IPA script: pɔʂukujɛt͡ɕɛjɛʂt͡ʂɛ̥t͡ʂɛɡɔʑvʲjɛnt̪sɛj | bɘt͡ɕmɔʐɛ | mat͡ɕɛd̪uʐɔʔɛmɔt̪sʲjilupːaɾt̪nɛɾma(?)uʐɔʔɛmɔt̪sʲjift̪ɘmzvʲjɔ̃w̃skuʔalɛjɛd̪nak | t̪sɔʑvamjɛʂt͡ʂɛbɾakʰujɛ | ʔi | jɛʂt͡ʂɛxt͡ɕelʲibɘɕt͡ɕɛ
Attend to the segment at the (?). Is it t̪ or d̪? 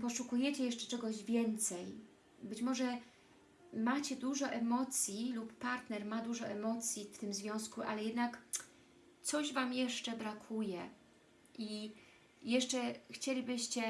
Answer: d̪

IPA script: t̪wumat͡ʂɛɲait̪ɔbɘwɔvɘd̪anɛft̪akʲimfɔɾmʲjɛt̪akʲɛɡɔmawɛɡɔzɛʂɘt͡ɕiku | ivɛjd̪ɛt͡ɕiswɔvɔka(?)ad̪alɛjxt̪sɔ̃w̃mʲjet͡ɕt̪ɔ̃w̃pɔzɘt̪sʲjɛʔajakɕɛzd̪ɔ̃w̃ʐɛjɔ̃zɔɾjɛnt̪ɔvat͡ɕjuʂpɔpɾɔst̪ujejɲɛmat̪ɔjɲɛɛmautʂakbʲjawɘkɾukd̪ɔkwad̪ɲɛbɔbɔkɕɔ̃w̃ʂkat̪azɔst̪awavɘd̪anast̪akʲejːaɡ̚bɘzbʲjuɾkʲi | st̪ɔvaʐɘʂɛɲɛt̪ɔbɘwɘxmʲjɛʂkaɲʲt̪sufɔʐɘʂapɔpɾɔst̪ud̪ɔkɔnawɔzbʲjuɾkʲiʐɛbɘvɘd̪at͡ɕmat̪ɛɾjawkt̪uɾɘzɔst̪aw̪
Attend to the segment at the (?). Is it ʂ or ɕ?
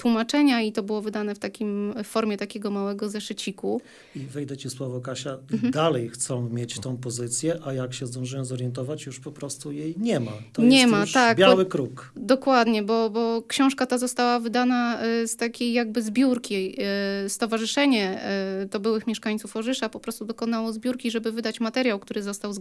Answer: ɕ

